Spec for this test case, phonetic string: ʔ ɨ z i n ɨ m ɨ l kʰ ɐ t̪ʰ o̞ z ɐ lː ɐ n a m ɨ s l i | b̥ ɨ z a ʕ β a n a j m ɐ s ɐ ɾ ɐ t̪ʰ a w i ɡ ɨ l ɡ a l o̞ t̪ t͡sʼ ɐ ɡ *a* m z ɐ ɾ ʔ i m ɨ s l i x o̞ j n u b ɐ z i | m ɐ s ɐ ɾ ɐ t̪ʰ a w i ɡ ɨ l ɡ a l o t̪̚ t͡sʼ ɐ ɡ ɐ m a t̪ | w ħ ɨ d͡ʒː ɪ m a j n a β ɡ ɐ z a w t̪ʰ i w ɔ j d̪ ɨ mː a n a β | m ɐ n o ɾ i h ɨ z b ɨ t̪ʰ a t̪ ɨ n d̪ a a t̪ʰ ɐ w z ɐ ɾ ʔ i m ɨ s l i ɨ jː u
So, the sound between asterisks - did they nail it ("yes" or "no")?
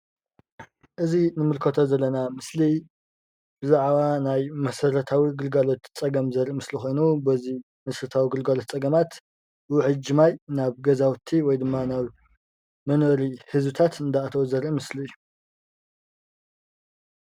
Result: no